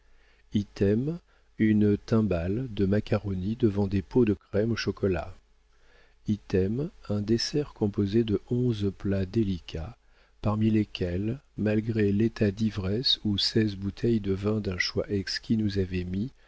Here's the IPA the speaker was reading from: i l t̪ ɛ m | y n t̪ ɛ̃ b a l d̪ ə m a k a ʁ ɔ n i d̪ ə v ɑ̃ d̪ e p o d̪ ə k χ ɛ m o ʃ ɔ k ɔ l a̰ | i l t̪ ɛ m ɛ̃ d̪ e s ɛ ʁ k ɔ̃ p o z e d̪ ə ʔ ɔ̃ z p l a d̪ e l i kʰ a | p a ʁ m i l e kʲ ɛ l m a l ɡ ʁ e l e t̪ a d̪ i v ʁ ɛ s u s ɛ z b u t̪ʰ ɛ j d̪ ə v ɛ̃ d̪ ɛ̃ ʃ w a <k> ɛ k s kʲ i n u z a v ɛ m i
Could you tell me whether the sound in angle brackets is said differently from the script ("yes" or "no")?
yes